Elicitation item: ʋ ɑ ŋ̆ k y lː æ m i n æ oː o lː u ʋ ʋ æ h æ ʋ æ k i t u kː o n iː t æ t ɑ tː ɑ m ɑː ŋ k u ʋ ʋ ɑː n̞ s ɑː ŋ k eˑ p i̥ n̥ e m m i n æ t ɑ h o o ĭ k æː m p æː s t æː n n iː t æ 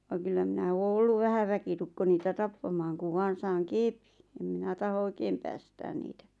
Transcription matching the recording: ʋ ɑ ŋ̆ k y lː æ m i n æ oː o lː u ʋ ʋ æ h æ ʋ æ k i t u kː o n iː t æ t ɑ pː ɑ m ɑː ŋ k u ʋ ʋ ɑː n̞ s ɑː ŋ k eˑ p i̥ n̥ e m m i n æ t ɑ h o o ĭ k eː m p æː s t æː n n iː t æ

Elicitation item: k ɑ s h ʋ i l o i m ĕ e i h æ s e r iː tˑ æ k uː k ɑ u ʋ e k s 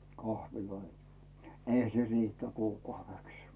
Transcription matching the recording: k ɑ h ʋ i l o i n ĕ e i h æ s e r iː tˑ æ k uː k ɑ u ʋ e k s

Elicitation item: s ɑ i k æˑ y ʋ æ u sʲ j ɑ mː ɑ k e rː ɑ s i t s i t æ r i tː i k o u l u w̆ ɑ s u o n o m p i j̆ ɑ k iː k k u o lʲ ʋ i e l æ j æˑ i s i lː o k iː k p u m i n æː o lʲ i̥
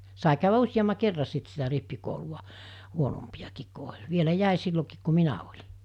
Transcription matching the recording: s ɑ i k æˑ y ʋ æ u sʲ j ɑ mː ɑ k e rː ɑ s i t s i t æ r i pː i k o u l u w̆ ɑ h u o n o m p i j̆ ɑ k iː k k u o lʲ ʋ i e l æ j æˑ i s i lː o k iː k k u m i n æ o lʲ i̥

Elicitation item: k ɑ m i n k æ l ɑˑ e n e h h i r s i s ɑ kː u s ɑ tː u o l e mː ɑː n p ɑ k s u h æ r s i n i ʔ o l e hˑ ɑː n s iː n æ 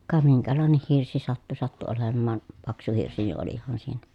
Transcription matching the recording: k ɑ m i ŋ k æ l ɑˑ e n e h h i r s i s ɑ tː u s ɑ tː u o l e mː ɑː n p ɑ k s u h i r s i n i ʔ o l i hˑ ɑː n s iː n æ

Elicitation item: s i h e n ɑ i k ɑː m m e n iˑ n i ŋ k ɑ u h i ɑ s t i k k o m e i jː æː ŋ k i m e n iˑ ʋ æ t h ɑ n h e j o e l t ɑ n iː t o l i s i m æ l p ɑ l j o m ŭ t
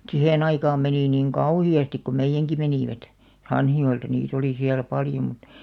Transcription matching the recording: s i h e n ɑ i k ɑː m m e n iˑ n i ŋ k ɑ u h i ɑ s t i k k o m e i jː æ ŋ k i m e n iˑ ʋ æ t h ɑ n h i j o e l t ɑ n iː t o l i s i æ l p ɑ l j o m ŭ t

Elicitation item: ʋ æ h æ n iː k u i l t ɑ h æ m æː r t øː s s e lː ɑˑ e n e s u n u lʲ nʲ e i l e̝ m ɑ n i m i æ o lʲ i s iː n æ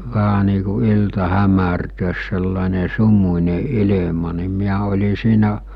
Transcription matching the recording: ʋ æ h æ n iː k u i l t ɑ h æ m æ r t øː s s e lː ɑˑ e n e s u m u nʲ e i l e̝ m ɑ n i m i æ o lʲ i s iː n æ

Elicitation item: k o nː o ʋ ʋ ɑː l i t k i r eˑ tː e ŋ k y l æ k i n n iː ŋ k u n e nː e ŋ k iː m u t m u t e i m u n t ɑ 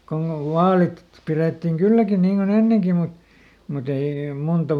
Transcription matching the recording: k o nː o ʋ ʋ ɑː l i t p i r eˑ tː i ŋ k y lː æ k i n n iː ŋ k o n e nː e ŋ k i m u t m u t e i m u n t ɑ

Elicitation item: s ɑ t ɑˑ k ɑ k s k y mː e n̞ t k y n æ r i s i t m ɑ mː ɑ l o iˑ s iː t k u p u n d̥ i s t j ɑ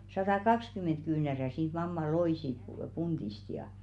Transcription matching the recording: s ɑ t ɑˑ k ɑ k s k y mː e n̞ t k yː n æ r æ s iː t m ɑ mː ɑ l o iˑ s iː t p u p u n d̥ i s t j ɑ

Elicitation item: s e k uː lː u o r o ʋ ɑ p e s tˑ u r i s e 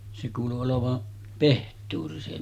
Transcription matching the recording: s e k uː l u o l o ʋ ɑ p e h tˑ uː r i s e

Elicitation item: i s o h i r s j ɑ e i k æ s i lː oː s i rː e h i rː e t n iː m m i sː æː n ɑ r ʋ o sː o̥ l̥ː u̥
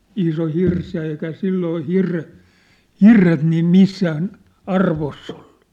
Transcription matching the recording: i s o h i r s j ɑ e i k æ s i lː oː h i rː e h i rː e t n iː m m i sː æː n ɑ r ʋ o sː o̥ l̥ː u̥

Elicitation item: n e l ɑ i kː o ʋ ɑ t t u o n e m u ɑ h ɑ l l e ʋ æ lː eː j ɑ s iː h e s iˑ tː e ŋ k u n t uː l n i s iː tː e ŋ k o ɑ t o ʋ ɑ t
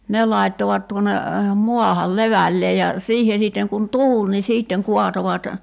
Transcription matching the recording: n e l ɑ i tː o ʋ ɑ t t u o n e m u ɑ h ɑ l l e ʋ æ lː eː j ɑ s iː h e s iˑ tː e ŋ k u n t uː l n i s iː tː e ŋ k u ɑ t o ʋ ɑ t

